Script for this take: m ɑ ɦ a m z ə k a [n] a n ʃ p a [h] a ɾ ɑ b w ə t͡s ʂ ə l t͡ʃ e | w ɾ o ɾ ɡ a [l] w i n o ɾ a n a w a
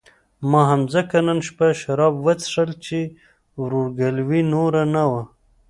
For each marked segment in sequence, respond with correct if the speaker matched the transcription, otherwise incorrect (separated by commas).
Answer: correct, incorrect, correct